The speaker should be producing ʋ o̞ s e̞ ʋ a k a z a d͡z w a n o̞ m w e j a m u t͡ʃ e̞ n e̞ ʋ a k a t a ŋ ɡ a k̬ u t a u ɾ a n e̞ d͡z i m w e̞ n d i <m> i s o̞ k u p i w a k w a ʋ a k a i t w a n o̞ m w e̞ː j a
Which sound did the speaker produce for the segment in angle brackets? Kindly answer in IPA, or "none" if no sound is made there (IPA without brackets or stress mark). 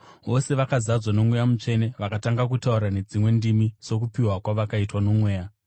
m